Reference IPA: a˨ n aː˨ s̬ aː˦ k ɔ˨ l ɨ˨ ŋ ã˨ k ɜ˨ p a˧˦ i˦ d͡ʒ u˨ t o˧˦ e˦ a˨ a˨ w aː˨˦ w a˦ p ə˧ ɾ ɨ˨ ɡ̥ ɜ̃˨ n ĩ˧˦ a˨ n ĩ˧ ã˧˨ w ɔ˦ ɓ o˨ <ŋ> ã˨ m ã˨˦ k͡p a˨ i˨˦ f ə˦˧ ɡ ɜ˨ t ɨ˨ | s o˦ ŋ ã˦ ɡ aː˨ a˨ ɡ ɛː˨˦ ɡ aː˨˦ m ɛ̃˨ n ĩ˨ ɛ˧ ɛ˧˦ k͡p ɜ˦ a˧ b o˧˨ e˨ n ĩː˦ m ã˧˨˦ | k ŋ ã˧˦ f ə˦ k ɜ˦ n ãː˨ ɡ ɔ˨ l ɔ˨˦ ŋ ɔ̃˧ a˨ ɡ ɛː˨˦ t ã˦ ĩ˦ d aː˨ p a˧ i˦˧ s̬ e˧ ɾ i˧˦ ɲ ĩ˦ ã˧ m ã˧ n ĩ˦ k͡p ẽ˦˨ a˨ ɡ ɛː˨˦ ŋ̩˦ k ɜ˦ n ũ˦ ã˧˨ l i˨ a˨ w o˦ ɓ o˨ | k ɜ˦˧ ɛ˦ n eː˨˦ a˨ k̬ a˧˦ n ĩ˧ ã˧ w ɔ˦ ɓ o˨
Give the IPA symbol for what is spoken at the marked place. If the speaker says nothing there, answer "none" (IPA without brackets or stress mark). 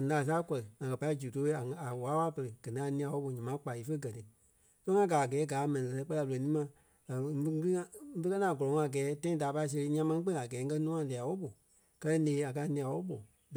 ɲ